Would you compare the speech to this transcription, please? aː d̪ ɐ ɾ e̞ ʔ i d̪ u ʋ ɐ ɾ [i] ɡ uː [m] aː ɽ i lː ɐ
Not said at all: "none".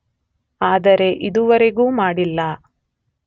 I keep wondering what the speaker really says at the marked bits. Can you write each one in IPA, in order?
e, m

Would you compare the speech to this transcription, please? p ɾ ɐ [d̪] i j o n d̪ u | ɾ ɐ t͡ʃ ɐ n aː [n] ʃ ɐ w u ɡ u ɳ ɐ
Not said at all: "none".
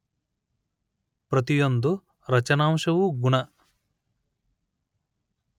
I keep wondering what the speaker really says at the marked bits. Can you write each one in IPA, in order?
t̪, m

